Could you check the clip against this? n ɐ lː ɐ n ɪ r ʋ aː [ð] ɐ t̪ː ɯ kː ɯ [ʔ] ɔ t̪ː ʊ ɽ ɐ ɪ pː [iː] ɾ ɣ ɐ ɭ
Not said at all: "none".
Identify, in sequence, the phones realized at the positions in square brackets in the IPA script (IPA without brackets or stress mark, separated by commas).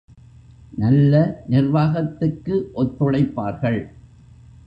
ɣ, ʔ, aː